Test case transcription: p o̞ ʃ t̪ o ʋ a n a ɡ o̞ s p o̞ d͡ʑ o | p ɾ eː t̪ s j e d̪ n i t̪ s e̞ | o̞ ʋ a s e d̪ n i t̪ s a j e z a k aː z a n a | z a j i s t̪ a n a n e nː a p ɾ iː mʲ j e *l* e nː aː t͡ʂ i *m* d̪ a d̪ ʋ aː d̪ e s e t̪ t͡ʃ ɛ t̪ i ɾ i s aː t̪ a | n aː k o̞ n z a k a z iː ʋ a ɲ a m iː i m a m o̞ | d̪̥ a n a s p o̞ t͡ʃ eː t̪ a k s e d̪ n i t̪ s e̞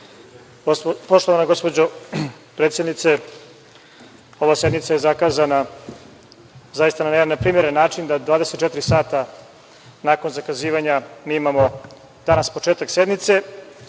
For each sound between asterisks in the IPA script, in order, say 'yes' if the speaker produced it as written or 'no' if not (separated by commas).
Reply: no, no